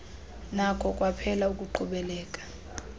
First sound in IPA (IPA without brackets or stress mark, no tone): n